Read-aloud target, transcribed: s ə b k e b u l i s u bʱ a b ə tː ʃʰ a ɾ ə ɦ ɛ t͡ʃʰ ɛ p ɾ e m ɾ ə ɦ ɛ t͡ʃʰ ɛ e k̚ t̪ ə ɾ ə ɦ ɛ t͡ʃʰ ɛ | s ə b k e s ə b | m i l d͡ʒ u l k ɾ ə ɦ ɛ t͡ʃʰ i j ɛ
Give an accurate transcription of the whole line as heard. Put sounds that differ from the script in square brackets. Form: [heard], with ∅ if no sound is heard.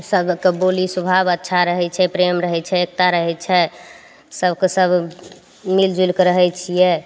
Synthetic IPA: s ə b k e b [o] l i s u bʱ a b ə tː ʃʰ a ɾ ə ɦ ɛ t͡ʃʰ ɛ p ɾ e m ɾ ə ɦ ɛ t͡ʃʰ ɛ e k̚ t̪ [a] ɾ ə ɦ ɛ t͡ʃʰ ɛ | s ə b k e s ə b | m i l d͡ʒ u l k ɾ ə ɦ ɛ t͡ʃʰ i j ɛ